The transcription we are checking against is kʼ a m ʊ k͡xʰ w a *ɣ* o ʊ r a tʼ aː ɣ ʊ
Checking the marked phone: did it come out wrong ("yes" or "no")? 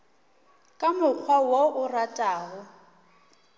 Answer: yes